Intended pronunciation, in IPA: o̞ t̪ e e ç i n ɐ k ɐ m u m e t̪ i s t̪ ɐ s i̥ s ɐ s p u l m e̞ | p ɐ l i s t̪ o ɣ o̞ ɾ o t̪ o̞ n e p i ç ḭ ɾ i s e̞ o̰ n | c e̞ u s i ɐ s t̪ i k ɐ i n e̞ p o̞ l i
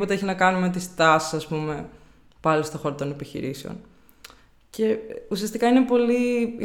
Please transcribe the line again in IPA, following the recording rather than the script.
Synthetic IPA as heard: o̞ t̪ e e ç i n ɐ k ɐ n u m e t̪ i s t̪ ɐ s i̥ s ɐ s p u m e̞ | p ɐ l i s t̪ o x o̞ ɾ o t̪ o̞ n e p i ç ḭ ɾ i s e̞ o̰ n | c e̞ u s i ɐ s t̪ i k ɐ i n e̞ p o̞ l i